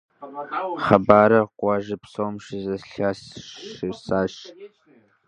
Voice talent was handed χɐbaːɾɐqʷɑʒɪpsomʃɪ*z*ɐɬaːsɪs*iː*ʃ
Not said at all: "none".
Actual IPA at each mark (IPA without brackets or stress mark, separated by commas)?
z, aː